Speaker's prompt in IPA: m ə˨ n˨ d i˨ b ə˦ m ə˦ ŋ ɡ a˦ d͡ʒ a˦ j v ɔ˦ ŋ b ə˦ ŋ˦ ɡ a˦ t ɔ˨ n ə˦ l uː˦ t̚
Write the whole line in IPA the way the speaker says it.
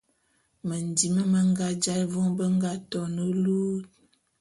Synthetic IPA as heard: m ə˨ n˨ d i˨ m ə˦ m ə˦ ŋ ɡ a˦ d͡ʒ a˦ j v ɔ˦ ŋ b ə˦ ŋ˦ ɡ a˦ t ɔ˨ n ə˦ l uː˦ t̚